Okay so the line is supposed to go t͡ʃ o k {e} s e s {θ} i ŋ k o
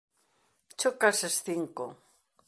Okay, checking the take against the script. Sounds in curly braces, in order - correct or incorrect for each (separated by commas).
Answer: incorrect, correct